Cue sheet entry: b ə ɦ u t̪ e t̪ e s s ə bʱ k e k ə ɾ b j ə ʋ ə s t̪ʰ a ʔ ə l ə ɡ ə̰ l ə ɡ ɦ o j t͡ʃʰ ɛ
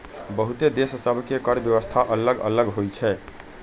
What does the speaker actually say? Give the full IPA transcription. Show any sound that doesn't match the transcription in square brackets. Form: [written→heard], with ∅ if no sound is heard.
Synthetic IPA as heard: b ə ɦ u t̪ e [t̪→d̪] e s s ə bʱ k e k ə ɾ b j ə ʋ ə s t̪ʰ a ʔ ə l ə ɡ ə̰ l ə ɡ ɦ o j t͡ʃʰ ɛ

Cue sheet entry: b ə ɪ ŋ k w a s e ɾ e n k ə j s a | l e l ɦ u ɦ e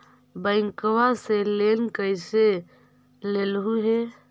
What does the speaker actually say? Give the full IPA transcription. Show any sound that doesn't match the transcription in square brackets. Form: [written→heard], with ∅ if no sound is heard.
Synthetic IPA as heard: b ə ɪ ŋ k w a s e [ɾ→l] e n k ə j s [a→e] | l e l ɦ u ɦ e

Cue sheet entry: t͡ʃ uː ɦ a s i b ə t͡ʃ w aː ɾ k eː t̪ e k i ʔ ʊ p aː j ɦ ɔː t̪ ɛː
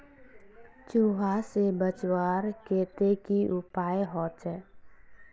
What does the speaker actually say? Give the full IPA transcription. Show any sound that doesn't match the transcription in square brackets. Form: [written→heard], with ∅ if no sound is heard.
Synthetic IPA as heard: t͡ʃ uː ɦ a s [i→e] b ə t͡ʃ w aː ɾ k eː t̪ e k i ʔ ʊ p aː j ɦ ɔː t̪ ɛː

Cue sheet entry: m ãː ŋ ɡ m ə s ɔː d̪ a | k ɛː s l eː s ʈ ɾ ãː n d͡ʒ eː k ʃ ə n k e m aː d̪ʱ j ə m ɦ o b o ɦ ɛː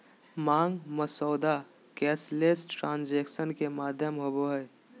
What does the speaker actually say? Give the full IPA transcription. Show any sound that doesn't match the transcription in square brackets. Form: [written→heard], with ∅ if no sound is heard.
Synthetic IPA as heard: m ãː ŋ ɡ m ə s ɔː d̪ a | k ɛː s l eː s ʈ ɾ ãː n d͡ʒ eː k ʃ ə n k e m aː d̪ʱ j ə m ɦ o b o ɦ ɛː

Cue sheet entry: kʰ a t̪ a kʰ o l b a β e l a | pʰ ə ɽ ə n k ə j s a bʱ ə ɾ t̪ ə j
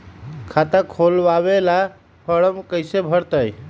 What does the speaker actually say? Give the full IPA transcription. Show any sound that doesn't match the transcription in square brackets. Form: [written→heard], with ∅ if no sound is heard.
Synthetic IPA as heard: kʰ a t̪ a kʰ o l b a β e l a | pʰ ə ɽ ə [n→m] k ə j s [a→e] bʱ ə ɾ t̪ ə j

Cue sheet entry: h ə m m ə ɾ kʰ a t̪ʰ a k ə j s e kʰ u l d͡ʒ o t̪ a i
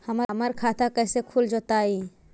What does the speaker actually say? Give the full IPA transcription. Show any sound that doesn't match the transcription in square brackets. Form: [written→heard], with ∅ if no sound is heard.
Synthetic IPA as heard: h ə m m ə ɾ kʰ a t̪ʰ a k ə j s e kʰ u l d͡ʒ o t̪ a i

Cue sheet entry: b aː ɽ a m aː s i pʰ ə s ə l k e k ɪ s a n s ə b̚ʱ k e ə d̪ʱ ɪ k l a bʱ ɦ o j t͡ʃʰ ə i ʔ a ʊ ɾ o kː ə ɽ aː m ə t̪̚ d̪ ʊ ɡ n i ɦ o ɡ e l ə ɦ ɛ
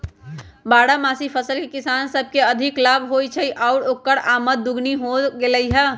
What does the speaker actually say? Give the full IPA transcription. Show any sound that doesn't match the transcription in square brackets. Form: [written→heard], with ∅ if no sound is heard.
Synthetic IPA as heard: b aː ɽ a m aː s i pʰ ə s ə l k e k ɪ s a n s ə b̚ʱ k e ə d̪ʱ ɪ k l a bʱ ɦ o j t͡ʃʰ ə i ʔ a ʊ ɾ o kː ə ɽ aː m ə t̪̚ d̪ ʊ ɡ n i ɦ o ɡ e l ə ɦ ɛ

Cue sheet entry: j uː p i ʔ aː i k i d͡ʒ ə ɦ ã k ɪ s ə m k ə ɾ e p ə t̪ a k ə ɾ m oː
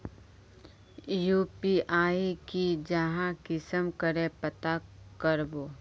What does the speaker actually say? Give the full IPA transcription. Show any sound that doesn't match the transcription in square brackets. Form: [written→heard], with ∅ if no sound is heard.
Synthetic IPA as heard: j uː p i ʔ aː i k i d͡ʒ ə ɦ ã k ɪ s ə m k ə ɾ e p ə t̪ a k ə ɾ [m→b] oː

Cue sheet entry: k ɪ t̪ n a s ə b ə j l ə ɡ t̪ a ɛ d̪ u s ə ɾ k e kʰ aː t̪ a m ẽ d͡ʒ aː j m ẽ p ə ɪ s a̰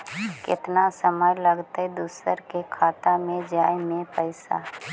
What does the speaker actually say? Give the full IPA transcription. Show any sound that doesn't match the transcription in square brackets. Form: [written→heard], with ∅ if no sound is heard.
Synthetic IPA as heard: k ɪ t̪ n a s ə [b→m] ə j l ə ɡ t̪ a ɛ d̪ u s ə ɾ k e kʰ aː t̪ a m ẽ d͡ʒ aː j m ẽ p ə ɪ s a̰

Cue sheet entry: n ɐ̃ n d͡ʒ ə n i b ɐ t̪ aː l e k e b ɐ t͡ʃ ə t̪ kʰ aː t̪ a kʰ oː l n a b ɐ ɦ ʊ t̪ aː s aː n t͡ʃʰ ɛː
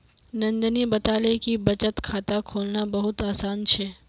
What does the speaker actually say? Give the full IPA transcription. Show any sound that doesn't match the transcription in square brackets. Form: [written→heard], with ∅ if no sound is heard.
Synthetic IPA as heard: n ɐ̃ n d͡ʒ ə n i b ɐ t̪ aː l e k [e→i] b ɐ t͡ʃ ə t̪ kʰ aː t̪ a kʰ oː l n a b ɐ ɦ ʊ t̪ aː s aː n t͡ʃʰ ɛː

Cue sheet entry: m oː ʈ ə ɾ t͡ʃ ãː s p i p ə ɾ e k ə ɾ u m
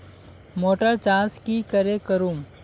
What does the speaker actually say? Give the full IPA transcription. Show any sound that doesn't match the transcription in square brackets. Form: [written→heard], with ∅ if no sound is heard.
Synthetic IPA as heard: m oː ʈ ə ɾ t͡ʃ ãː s [p→k] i [p→k] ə ɾ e k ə ɾ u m

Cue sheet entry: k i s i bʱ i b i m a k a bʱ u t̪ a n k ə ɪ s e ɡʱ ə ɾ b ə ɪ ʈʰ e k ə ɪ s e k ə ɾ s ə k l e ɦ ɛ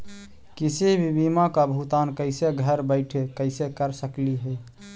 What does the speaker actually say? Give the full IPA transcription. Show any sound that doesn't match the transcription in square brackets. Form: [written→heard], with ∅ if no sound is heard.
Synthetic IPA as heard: k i s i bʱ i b i m a k a bʱ u t̪ a n k ə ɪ s e ɡʱ ə ɾ b ə ɪ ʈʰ e k ə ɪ s e k ə ɾ s ə k l [e→i] ɦ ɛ

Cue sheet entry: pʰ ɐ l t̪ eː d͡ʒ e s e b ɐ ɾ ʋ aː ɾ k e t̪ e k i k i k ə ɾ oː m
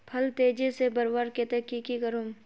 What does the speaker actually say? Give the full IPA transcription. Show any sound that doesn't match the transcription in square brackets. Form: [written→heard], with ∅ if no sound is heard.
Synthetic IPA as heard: pʰ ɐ l t̪ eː d͡ʒ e s e b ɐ ɾ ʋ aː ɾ k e t̪ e k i k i k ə ɾ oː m

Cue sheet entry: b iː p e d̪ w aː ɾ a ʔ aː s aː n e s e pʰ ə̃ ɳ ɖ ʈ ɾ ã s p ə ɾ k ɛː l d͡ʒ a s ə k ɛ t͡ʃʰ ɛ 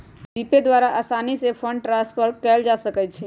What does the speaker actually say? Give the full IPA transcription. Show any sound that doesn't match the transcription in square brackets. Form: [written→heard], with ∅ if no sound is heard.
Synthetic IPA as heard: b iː p e d̪ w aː ɾ a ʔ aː s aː n [e→i] s e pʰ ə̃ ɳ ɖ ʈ ɾ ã s p ə ɾ k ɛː l d͡ʒ a s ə k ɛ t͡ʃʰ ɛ

